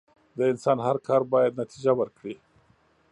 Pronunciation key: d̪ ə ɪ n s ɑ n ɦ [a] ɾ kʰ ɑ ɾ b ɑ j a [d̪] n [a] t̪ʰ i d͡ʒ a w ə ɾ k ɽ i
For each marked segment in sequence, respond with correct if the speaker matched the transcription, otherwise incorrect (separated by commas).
correct, correct, correct